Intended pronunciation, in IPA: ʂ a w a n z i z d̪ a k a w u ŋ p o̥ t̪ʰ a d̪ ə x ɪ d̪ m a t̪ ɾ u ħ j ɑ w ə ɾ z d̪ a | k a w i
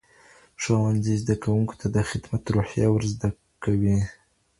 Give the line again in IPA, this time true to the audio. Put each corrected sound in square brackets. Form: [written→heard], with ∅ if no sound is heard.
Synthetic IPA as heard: ʂ a w a n z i z d̪ a k a w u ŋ [p→k] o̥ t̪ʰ a d̪ ə x ɪ d̪ m a t̪ ɾ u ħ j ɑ w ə ɾ z d̪ a | k a w i

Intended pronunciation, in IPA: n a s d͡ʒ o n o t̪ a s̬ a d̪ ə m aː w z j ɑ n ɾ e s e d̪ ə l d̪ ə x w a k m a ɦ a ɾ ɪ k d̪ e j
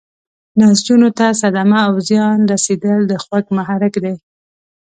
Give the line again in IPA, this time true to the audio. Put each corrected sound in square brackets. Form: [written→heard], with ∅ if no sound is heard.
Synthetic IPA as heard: n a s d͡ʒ [o→u] n o t̪ a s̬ a d̪ [ə→a] m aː w z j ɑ n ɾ [e→a] s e d̪ ə l d̪ ə x w a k m a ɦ a ɾ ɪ k d̪ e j

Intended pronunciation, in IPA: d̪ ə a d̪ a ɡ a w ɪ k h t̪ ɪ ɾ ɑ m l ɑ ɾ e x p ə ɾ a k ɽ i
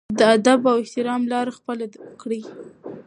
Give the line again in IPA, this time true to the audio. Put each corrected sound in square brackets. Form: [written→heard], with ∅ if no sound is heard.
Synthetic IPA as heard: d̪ ə a d̪ a [ɡ→b] a w ɪ [k→∅] h t̪ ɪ ɾ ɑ m l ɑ ɾ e x p ə [ɾ→l] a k ɽ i

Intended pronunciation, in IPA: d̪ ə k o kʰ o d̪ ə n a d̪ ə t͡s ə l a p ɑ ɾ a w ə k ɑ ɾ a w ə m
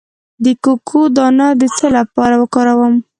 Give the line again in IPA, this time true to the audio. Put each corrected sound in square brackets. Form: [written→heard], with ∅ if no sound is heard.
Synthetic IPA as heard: d̪ ə k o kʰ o d̪ [ə→ɑ] n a d̪ ə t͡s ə l a p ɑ ɾ a w ə k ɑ ɾ a w ə m

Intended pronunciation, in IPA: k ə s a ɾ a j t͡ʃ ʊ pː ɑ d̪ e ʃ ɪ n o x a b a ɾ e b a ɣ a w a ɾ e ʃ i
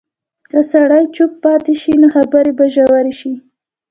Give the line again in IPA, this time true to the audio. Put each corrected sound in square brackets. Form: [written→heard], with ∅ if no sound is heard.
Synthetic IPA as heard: k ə s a [ɾ→ɽ] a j t͡ʃ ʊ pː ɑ [d̪→t̪] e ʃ [ɪ→i] n o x a b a ɾ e b a [ɣ→ʒ] a w a ɾ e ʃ i

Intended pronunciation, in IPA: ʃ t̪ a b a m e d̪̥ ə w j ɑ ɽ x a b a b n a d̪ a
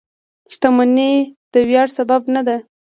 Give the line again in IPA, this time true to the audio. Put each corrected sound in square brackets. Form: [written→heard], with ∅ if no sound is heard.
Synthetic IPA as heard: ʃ t̪ a [b→m] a [m→n] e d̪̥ ə w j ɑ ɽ [x→s] a b a b n a d̪ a

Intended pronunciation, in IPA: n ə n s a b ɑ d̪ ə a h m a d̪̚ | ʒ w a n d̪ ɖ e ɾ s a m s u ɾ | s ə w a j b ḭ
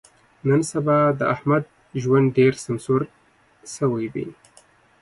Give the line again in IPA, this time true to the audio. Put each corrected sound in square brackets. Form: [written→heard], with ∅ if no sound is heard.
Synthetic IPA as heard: n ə n s a b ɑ d̪ ə a h m a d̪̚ | ʒ w a n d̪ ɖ e ɾ s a m s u ɾ | s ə w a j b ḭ

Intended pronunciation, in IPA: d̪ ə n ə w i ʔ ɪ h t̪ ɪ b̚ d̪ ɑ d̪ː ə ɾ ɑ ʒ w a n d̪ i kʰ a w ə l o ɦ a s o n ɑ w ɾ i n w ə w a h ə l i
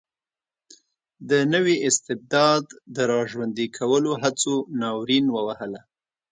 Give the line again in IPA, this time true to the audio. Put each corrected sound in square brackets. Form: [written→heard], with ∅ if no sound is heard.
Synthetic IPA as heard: d̪ ə n ə w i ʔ ɪ [h→s] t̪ ɪ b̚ d̪ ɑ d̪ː ə ɾ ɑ ʒ w a n d̪ i kʰ a w ə l o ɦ a [s→t͡s] o n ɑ w ɾ i n w ə w a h ə l [i→a]

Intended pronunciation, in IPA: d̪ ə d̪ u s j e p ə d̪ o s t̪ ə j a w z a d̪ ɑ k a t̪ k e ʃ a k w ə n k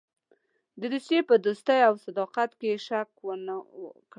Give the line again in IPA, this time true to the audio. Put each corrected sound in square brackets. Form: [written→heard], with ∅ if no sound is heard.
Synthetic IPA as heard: d̪ ə d̪ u s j e p ə d̪ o s t̪ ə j a w [z→s] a d̪ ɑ [k→q] a t̪ k e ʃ a k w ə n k

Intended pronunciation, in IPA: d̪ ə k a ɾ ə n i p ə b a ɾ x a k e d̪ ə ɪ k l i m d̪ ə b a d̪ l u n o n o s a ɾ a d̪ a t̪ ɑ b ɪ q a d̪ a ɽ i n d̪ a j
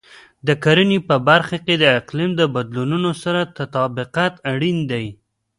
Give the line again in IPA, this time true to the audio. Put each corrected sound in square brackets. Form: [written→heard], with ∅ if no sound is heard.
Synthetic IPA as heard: d̪ ə k a ɾ ə n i p ə b a ɾ x a k e d̪ ə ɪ [k→q] l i m d̪ ə b a d̪ l u n [o→u] n o s a ɾ a [d̪→t̪] a t̪ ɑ b ɪ q a [d̪→t̪] a ɽ i n d̪ a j

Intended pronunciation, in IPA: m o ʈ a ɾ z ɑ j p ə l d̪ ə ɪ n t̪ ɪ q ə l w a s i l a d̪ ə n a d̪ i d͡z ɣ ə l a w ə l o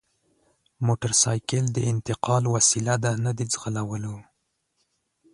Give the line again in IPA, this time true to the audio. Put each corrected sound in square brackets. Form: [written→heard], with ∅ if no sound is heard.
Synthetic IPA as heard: m o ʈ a ɾ [z→s] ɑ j [p→k] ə l d̪ ə ɪ n t̪ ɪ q [ə→ɑ] l w a s i l a d̪ [ə→a] n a d̪ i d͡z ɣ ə l a w ə l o

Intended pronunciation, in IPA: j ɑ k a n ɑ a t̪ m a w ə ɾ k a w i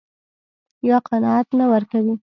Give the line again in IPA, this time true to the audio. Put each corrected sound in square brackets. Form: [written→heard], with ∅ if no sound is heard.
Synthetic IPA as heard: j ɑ [k→q] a n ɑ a t̪ [m→n] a w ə ɾ k a w i

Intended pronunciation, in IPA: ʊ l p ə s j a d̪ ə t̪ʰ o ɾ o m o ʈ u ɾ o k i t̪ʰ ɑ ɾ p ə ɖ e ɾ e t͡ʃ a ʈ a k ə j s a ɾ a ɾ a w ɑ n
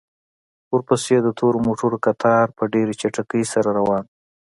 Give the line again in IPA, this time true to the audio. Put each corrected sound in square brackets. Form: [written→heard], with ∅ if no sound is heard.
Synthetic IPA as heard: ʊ [l→ɾ] p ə s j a d̪ ə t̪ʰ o ɾ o m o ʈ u ɾ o k [i→a] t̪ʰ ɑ ɾ p ə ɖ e ɾ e t͡ʃ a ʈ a k ə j s a ɾ a ɾ a w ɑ n

